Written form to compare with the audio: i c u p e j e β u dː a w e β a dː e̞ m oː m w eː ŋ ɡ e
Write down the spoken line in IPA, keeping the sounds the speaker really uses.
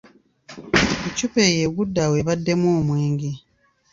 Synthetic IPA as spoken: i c u p e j e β u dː a w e β a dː e̞ m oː m w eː ŋ ɡ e